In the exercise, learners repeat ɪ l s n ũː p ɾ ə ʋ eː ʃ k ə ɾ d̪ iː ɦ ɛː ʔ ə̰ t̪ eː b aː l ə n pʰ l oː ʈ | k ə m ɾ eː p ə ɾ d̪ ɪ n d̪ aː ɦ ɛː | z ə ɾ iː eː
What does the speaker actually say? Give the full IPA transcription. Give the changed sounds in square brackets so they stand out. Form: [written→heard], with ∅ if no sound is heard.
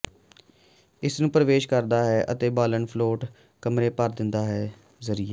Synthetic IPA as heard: ɪ [l→∅] s n ũː p ɾ ə ʋ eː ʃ k ə ɾ d̪ [iː→aː] ɦ ɛː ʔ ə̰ t̪ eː b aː l ə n pʰ l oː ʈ | k ə m ɾ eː p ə ɾ d̪ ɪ n d̪ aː ɦ ɛː | z ə ɾ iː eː